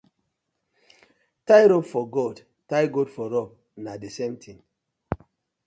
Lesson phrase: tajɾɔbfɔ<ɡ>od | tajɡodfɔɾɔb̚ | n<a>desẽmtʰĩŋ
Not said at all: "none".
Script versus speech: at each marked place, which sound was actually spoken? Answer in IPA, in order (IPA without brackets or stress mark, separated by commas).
ɡ, a